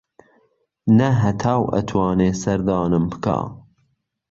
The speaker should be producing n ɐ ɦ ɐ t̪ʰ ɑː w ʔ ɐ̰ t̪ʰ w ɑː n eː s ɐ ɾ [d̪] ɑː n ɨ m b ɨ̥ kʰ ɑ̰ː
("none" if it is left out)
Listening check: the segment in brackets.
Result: d̪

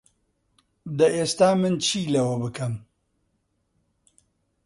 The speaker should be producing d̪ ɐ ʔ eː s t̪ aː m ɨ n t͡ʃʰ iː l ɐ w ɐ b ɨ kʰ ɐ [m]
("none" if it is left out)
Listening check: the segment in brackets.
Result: m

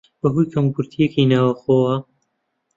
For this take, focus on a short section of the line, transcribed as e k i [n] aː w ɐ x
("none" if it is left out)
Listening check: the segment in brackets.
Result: n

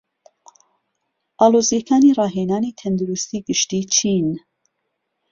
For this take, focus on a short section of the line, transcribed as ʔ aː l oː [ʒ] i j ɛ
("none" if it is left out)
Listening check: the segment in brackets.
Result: z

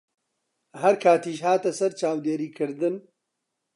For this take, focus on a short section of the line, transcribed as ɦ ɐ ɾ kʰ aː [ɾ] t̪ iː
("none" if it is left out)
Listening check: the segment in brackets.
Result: none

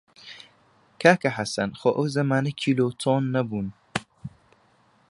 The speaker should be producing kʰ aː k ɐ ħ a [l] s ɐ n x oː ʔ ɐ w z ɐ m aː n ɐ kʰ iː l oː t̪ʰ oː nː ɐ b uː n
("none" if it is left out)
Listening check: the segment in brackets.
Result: none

